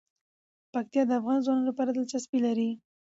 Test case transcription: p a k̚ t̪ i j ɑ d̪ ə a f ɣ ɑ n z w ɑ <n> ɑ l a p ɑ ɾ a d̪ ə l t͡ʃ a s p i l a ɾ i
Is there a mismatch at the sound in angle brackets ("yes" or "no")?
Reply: no